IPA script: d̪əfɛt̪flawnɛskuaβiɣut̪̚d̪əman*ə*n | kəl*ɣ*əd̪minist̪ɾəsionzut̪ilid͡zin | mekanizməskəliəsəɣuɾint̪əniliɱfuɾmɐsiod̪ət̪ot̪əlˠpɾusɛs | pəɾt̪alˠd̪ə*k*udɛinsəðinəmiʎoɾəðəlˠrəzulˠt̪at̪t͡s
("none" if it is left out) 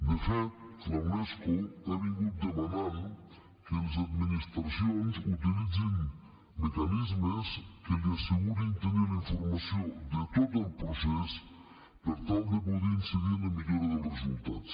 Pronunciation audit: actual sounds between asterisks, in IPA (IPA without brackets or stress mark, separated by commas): a, z, p